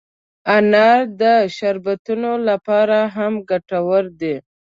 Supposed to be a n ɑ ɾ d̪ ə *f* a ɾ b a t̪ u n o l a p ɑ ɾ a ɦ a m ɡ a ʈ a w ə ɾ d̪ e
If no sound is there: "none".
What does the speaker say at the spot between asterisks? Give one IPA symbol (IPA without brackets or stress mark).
ʃ